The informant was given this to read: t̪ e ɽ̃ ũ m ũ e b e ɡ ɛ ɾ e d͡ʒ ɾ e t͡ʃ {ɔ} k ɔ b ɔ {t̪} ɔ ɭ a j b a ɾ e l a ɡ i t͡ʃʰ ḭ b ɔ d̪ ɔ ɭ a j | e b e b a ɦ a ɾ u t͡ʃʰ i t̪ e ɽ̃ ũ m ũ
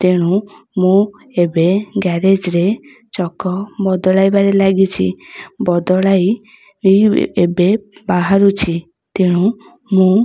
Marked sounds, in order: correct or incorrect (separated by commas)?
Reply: correct, incorrect